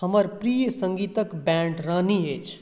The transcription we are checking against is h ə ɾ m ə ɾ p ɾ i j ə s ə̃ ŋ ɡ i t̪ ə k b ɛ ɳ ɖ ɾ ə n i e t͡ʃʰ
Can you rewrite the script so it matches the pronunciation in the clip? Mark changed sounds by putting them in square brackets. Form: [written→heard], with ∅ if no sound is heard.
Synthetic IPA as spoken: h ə [ɾ→∅] m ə ɾ p ɾ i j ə s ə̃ ŋ ɡ i t̪ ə k b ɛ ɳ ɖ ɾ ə n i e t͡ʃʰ